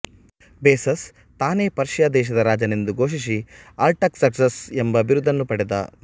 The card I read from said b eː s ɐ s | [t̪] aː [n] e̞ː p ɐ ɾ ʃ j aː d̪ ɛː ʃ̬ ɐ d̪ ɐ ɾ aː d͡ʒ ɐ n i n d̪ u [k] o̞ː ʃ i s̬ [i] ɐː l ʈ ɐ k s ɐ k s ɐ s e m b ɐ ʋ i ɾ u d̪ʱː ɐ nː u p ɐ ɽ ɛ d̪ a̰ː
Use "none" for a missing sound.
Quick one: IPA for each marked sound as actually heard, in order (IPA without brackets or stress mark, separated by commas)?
t̪, n, ɡ, i